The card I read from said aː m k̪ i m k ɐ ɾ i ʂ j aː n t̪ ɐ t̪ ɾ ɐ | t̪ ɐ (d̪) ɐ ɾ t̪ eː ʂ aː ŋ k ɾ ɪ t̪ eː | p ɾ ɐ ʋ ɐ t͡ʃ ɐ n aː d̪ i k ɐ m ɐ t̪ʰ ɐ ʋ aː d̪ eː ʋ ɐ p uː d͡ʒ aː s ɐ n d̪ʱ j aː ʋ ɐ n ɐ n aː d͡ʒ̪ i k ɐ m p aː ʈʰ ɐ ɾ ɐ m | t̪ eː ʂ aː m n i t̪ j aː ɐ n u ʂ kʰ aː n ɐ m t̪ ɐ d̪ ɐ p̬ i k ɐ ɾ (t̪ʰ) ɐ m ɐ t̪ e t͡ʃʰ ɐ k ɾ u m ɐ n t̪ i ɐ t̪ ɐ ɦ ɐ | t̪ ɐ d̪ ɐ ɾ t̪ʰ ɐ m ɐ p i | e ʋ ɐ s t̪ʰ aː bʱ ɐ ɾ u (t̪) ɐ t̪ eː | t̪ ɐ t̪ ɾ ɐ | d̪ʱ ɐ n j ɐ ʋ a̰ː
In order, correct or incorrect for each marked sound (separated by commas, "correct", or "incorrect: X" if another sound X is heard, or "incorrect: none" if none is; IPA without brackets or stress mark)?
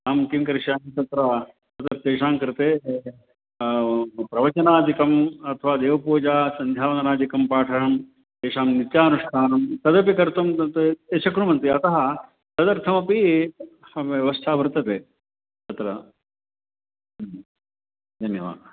incorrect: t̪, incorrect: t̪, correct